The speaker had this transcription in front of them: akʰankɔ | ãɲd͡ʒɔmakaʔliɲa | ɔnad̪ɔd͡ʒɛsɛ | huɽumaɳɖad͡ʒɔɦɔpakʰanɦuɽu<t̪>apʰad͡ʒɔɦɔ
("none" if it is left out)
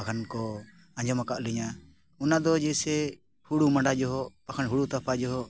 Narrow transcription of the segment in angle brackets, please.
t̪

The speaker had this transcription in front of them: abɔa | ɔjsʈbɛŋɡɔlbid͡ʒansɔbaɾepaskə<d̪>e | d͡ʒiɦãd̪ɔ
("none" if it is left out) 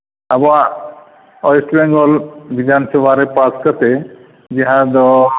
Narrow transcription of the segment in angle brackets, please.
t̪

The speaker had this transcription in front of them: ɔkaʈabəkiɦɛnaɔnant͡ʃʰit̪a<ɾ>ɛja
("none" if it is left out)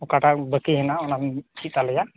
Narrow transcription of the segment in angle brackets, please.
l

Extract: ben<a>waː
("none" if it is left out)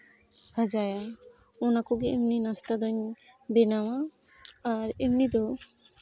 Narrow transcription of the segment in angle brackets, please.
a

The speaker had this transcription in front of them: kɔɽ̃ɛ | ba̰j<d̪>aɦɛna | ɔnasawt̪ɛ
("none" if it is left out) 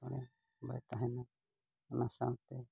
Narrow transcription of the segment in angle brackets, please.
t̪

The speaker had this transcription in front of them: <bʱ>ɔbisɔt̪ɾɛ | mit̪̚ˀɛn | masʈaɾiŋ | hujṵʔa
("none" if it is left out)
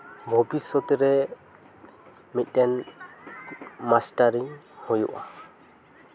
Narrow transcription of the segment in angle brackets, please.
bʱ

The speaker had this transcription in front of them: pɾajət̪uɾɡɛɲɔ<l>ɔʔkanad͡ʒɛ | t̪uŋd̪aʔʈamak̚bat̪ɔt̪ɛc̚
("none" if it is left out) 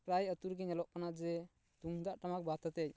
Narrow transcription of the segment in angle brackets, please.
l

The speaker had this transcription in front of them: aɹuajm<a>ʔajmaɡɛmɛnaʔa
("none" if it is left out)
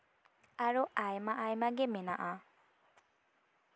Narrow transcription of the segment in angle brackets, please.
a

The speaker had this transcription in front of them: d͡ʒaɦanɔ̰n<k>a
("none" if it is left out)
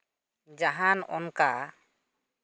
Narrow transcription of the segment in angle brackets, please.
k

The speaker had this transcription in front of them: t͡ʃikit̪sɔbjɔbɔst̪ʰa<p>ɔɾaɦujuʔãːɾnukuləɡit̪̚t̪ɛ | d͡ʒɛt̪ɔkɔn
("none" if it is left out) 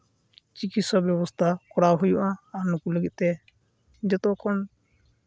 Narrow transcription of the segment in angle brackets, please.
k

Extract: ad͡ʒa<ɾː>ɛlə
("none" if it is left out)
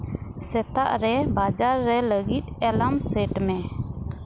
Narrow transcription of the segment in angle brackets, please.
ɾː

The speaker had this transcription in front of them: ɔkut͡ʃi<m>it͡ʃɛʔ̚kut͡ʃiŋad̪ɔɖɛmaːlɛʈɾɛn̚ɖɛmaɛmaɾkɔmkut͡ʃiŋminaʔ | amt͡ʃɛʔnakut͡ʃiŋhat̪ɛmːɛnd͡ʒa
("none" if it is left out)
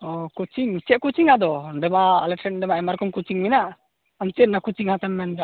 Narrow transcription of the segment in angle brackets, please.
ŋ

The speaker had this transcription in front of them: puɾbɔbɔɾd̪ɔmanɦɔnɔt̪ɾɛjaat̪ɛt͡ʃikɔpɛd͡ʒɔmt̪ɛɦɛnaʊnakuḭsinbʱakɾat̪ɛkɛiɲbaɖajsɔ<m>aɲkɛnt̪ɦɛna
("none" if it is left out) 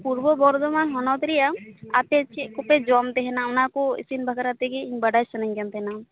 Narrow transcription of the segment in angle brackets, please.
n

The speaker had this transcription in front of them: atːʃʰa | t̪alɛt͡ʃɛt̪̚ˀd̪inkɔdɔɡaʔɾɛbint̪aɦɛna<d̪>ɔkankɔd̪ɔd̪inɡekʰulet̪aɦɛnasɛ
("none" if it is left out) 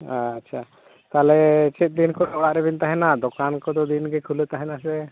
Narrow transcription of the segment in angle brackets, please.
d̪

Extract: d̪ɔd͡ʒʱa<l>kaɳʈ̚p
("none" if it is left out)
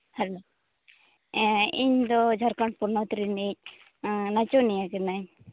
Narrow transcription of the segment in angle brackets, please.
ɾ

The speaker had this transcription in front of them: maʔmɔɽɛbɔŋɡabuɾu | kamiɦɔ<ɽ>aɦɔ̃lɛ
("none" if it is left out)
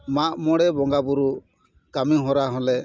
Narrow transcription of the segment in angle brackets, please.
ɾ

